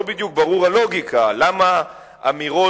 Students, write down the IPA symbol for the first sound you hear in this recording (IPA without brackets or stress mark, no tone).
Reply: b